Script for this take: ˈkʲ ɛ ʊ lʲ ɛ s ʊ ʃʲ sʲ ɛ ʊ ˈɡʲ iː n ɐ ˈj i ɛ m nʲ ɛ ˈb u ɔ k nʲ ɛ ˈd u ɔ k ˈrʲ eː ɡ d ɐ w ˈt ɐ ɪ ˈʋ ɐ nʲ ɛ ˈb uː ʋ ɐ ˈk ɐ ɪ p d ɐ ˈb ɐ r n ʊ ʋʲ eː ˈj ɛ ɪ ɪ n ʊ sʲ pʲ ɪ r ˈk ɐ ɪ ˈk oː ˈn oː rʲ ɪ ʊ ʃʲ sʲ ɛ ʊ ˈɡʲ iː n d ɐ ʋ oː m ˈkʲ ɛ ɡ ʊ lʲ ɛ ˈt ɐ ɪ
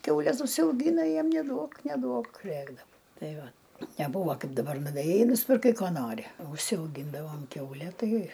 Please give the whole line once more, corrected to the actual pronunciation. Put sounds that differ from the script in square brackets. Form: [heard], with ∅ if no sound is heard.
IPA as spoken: ˈkʲ ɛ ʊ lʲ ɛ s ʊ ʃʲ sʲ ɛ ʊ ˈɡʲ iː n ɐ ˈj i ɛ m nʲ ɛ [ˈd] u ɔ k nʲ ɛ ˈd u ɔ k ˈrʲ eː ɡ d ɐ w ˈt ɐ ɪ ˈʋ ɐ nʲ ɛ ˈb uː ʋ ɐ ˈk ɐ ɪ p d ɐ ˈb ɐ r n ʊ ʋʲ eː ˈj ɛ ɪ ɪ n ʊ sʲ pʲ ɪ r ˈk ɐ ɪ ˈk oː ˈn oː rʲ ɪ ʊ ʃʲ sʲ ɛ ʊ ˈɡʲ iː n d ɐ ʋ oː m ˈkʲ ɛ [∅] ʊ lʲ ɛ ˈt ɐ ɪ